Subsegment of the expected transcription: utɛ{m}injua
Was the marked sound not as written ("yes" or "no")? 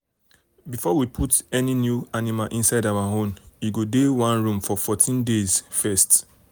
yes